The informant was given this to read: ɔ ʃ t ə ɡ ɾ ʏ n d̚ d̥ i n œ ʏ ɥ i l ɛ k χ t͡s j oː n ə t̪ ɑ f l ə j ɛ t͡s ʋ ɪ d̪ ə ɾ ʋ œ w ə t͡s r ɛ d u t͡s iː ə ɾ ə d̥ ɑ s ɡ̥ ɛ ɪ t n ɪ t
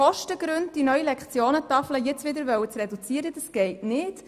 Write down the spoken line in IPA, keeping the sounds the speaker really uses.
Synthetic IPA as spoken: ɔ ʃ t ə ɡ ɾ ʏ n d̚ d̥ i n œ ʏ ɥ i l ɛ k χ t͡s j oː n ə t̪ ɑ f l ə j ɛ t͡s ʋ ɪ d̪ ə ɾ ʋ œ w ə t͡s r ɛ d u t͡s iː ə ɾ ə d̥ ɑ s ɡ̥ ɛ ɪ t n ɪ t